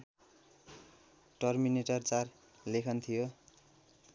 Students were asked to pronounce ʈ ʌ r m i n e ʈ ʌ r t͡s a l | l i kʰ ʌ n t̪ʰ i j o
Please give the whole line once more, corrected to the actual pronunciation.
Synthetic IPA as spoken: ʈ ʌ r m i n e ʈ ʌ r t͡s a r | l e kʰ ʌ n t̪ʰ i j o